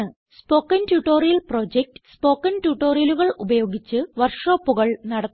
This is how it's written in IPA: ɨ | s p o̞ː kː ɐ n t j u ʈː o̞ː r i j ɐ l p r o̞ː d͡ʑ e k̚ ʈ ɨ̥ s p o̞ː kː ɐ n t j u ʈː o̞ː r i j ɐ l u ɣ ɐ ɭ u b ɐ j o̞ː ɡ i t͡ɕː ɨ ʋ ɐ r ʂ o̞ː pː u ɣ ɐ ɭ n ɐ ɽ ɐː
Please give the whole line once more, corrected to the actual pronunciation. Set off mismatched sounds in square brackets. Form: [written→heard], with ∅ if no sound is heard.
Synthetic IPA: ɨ | s p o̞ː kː ɐ n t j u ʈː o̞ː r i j ɐ l p r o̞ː d͡ʑ e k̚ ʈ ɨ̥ s p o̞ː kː ɐ n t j u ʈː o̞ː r i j ɐ l u ɣ ɐ ɭ u b ɐ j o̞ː ɡ i t͡ɕː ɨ ʋ ɐ r ʂ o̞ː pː u ɣ ɐ ɭ n ɐ ɽ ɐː

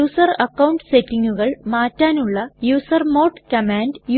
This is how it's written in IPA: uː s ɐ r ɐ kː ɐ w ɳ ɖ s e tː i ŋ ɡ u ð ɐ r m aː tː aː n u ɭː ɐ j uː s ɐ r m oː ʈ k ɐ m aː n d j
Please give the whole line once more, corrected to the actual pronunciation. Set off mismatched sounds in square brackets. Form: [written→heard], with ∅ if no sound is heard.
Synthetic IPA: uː s ɐ r ɐ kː ɐ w ɳ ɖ s e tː i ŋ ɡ u [ð→ɣ] ɐ [r→ɭ] m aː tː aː n u ɭː ɐ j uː s ɐ r m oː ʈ k ɐ m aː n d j

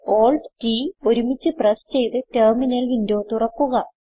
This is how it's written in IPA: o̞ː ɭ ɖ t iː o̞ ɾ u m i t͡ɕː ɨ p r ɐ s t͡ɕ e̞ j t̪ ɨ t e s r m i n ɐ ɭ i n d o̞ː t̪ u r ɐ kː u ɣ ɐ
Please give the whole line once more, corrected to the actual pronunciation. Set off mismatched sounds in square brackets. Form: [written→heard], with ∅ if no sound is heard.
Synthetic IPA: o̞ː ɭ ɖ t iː o̞ ɾ u m i t͡ɕː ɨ p r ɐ s t͡ɕ e̞ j t̪ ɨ t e [s→∅] r m i n ɐ [ɭ→l] i n d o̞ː t̪ u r ɐ kː u ɣ ɐ

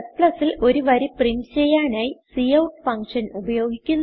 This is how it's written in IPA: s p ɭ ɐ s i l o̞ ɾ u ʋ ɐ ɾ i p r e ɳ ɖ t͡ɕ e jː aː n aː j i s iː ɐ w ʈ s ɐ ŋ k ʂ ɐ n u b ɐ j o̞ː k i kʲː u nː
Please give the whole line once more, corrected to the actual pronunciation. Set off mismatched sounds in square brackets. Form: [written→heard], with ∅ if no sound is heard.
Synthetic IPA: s p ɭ ɐ s i l o̞ ɾ u ʋ ɐ ɾ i p r [e→i] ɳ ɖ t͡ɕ e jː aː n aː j i s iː ɐ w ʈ [s→f] ɐ ŋ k ʂ ɐ n u b ɐ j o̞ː [k→ɡ] i kʲː u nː

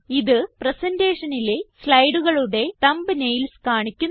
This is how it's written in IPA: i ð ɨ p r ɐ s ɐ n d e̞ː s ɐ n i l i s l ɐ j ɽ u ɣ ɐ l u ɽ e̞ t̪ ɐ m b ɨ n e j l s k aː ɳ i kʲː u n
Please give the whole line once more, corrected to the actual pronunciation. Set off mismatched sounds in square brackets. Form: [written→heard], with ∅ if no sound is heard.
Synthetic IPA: i ð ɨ p r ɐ s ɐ n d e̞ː [s→ʂ] ɐ n i l [i→e] s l ɐ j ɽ u ɣ ɐ [l→ɭ] u ɽ e̞ t̪ ɐ m b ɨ n e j l s k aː ɳ i kʲː u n

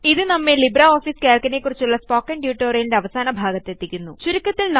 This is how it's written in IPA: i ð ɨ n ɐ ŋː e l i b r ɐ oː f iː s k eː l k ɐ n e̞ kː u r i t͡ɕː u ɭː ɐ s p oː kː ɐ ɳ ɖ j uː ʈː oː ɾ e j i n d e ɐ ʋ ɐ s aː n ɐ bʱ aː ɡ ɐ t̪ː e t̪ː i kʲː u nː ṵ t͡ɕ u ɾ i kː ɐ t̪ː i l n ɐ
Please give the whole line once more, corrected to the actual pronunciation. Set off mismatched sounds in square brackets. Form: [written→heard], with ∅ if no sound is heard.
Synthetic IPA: i ð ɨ n ɐ [ŋː→mː] e l i b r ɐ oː f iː s k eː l k ɐ n e̞ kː u r i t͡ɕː u ɭː ɐ s p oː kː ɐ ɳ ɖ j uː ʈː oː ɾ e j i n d e ɐ ʋ ɐ s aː n ɐ bʱ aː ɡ ɐ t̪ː e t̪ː i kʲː u nː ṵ t͡ɕ u ɾ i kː ɐ t̪ː i l n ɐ

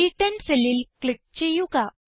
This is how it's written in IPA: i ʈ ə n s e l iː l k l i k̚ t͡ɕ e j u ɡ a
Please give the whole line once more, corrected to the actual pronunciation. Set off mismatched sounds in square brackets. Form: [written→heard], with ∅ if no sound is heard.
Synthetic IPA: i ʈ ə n s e l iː l k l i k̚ t͡ɕ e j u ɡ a

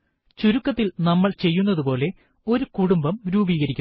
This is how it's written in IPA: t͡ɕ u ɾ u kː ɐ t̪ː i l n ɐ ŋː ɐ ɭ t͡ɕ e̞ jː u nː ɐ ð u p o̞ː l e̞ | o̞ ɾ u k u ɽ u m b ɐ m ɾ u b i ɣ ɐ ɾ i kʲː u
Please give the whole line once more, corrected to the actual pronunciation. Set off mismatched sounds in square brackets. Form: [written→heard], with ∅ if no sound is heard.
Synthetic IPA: t͡ɕ u ɾ u kː ɐ t̪ː i l n ɐ [ŋː→mː] ɐ ɭ t͡ɕ e̞ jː u nː ɐ ð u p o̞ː l e̞ | o̞ ɾ u k u ɽ u m b ɐ m ɾ [u→uː] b [i→iː] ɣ ɐ ɾ i kʲː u

